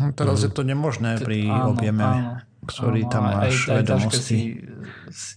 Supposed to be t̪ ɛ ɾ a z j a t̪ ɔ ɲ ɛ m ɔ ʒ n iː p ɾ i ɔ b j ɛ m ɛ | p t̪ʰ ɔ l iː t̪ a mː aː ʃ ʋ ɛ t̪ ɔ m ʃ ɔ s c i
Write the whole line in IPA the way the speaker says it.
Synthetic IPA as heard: t̪ ɛ ɾ a z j ɛ t̪ ɔ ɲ ɛ m ɔ ʒ n ɛː p ɾ i ɔ b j ɛ m ɛ | k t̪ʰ ɔ ɾ iː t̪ a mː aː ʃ ʋ ɛ d̪ ɔ m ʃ ɔ s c i